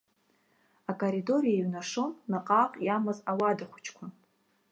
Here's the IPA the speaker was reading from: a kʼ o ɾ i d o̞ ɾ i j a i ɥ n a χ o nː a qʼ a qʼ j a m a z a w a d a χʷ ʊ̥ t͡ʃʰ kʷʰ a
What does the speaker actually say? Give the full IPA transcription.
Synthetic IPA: a kʼ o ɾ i d o̞ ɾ i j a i ɥ n a ʂ o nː a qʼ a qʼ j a m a z a w a d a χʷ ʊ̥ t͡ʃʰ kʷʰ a

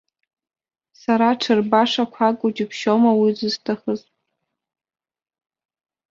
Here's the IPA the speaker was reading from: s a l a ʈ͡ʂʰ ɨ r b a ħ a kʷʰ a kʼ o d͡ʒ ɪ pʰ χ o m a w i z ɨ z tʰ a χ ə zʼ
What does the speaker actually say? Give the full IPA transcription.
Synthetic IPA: s a ɾ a ʈ͡ʂʰ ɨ r b a ʂ a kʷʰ a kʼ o d͡ʒ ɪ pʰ ʃ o m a w i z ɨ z tʰ a χ ə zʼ

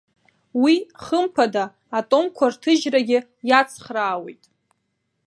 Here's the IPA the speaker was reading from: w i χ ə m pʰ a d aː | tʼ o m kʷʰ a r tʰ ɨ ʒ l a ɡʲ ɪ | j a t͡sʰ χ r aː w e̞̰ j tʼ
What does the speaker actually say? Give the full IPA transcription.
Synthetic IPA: w i χ ə m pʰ a d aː | tʼ o m kʷʰ a r tʰ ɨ ʒ r a ɡʲ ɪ | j a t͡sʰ χ r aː w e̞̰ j tʼ

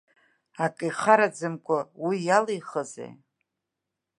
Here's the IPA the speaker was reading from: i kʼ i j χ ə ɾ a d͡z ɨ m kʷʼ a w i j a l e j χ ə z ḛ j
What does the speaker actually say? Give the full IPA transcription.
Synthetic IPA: a kʼ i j χ a ɾ a d͡z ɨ m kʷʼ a w i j a l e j χ ə z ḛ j

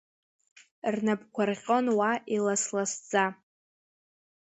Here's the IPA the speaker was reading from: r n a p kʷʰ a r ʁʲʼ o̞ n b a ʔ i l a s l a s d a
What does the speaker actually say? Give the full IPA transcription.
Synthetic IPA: r n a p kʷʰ a r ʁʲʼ o̞ n w a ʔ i l a s l a s d͡z a

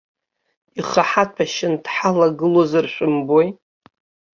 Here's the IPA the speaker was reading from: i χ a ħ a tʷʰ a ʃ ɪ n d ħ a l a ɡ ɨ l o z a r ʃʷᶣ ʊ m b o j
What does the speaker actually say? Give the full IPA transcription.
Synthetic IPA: i χ a ħ a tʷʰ a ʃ ɪ n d ħ a l a ɡ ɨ l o z a r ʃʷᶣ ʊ m b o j

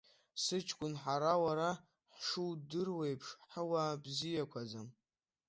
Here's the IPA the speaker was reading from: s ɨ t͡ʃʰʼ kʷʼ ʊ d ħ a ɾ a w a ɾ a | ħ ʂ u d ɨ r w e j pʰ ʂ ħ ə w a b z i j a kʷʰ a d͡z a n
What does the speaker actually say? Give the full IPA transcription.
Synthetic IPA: s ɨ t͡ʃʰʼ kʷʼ ʊ n ħ a ɾ a w a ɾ a | ħ ʂ u d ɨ r w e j pʰ ʂ ħ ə w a b z i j a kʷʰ a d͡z a m

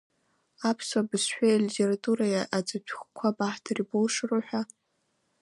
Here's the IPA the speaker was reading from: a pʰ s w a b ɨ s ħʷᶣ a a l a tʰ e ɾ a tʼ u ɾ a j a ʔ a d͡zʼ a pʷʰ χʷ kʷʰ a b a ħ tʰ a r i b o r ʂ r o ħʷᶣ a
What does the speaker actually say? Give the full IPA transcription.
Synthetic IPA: a pʰ s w a b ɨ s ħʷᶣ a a l i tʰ e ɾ a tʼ u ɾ a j a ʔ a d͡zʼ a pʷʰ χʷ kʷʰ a b a ħ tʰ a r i b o l ʂ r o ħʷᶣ a

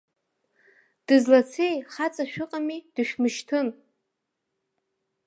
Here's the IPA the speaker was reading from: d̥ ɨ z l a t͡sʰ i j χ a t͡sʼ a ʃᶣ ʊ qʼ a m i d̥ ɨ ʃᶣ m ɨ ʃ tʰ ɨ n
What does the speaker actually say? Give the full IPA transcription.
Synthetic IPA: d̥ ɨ z l a t͡sʰ e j χ a t͡sʼ a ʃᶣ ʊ qʼ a m i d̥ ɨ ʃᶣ m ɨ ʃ tʰ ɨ n

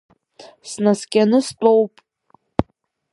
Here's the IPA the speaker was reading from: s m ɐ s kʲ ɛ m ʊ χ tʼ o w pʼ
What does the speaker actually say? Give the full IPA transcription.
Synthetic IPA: s n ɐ s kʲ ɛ n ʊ s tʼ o w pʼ

